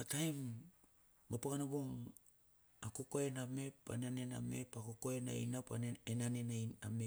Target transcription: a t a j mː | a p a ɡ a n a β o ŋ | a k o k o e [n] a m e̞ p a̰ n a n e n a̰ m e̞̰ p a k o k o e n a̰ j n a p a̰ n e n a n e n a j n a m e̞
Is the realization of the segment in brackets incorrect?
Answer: no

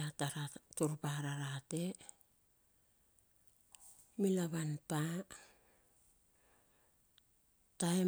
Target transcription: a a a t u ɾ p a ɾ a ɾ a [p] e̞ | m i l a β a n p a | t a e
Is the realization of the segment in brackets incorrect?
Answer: yes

